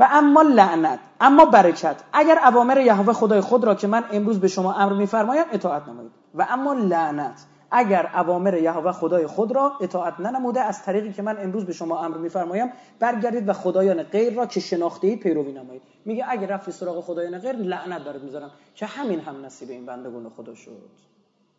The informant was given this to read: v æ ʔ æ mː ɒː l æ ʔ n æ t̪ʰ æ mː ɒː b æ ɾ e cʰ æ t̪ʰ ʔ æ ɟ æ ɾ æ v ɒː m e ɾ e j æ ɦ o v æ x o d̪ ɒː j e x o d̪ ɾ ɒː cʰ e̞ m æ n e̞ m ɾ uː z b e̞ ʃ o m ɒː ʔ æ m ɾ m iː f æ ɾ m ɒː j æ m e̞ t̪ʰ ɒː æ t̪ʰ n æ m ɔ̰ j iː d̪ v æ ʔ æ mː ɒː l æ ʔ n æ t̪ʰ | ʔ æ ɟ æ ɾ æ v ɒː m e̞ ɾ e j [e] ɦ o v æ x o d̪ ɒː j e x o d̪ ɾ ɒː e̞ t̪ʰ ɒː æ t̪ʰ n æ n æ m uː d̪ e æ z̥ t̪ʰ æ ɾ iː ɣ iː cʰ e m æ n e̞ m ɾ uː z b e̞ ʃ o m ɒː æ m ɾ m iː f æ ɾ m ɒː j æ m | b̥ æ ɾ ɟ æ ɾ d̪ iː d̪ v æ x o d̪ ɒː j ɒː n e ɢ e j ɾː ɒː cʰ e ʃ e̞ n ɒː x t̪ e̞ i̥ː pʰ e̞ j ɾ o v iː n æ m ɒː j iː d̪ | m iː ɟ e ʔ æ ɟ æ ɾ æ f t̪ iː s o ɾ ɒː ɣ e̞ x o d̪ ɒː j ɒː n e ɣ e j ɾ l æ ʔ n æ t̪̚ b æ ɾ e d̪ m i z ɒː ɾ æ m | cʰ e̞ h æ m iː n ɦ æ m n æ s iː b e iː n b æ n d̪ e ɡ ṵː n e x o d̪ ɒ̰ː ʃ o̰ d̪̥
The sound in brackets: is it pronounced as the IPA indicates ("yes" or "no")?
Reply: no